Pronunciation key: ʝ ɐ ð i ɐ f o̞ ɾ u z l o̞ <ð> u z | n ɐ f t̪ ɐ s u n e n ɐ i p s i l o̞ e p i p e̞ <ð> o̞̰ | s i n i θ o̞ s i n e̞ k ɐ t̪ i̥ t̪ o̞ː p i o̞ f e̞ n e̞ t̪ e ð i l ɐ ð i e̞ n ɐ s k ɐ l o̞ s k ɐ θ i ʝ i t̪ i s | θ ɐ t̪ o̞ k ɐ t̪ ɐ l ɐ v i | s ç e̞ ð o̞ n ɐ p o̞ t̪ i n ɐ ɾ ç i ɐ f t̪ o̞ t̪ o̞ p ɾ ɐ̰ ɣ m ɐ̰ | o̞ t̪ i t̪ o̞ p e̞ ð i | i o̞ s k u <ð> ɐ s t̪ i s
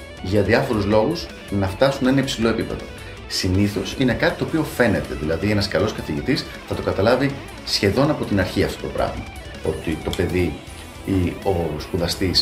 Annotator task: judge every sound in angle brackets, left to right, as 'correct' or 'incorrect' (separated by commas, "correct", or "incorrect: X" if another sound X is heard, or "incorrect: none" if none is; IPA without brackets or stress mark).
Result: incorrect: ɣ, correct, correct